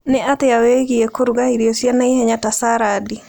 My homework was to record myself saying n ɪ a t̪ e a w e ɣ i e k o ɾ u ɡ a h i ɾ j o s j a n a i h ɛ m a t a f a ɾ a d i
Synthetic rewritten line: n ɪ a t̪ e a w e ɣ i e k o ɾ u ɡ a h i ɾ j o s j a n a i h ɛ ɲ a t a s a ɾ a d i